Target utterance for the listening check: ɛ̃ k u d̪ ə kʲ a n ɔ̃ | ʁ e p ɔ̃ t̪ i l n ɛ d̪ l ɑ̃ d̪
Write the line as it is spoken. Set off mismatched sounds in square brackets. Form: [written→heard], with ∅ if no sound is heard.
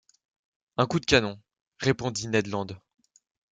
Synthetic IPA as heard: ɛ̃ k u d̪ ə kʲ a n ɔ̃ | ʁ e p ɔ̃ [t̪→d̪] i [l→∅] n ɛ d̪ l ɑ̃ d̪